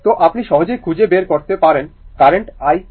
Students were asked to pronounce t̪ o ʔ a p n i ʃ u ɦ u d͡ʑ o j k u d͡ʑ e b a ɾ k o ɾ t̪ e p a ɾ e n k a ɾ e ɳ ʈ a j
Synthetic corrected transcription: t̪ o ʔ a p n i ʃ ɔ ɦ o d͡ʑ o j kʰ u d͡ʑ e b e ɾ k o ɾ t̪ e p a ɾ e n k a ɾ e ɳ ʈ a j